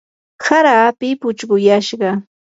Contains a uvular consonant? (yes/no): yes